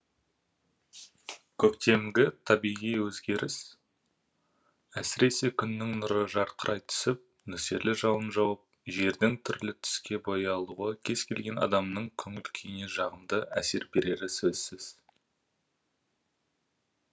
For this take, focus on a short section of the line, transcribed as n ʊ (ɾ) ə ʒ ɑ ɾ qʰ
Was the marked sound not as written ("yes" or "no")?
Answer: no